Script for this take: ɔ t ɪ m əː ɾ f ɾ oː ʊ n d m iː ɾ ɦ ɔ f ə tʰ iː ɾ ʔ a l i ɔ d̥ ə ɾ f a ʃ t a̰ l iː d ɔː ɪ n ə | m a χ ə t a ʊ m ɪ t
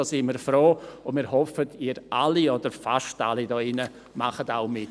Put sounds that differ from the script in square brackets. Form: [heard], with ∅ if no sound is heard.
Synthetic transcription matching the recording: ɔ [s] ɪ m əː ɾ f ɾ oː ʊ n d m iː ɾ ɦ ɔ f ə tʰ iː ɾ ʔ a l i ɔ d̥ ə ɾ f a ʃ t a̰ l [i] d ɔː ɪ n ə | m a χ ə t a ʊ m ɪ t